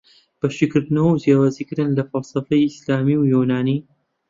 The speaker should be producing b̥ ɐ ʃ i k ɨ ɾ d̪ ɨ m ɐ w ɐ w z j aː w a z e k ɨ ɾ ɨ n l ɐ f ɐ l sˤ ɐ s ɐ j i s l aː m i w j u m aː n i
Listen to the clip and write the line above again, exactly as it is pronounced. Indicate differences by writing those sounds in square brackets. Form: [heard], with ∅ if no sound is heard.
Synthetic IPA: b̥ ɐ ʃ i k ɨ ɾ d̪ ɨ [n] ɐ w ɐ w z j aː w a z [i] k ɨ ɾ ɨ n l ɐ f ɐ l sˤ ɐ [f] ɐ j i s l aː m i w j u [n] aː n i